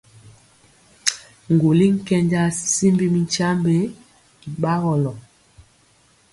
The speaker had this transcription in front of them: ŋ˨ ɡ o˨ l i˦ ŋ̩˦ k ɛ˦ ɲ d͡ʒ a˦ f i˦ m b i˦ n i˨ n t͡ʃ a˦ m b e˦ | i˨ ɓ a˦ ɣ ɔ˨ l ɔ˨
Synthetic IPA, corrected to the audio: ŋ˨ ɡ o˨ l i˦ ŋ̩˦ k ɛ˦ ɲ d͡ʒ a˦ s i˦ m b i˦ m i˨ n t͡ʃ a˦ m b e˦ | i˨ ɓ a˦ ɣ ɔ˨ l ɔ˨